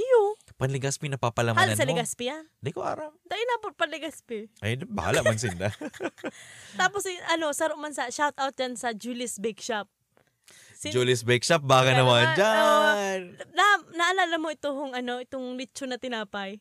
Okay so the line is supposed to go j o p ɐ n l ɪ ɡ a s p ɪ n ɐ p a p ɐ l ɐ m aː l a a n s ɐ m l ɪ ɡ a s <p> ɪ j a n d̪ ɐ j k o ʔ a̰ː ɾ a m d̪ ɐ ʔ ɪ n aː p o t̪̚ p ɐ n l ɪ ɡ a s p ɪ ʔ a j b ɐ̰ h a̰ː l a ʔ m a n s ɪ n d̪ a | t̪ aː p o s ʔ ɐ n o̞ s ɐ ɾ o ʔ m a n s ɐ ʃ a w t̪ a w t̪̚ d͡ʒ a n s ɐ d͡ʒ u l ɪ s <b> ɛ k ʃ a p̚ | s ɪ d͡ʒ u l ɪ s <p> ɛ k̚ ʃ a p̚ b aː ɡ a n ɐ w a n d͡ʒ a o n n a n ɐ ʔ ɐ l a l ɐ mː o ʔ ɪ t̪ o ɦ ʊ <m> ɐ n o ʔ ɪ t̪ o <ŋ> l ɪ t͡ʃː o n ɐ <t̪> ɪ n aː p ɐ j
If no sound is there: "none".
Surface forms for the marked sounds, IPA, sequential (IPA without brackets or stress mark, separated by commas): p, b, b, ŋ, ŋ, t̪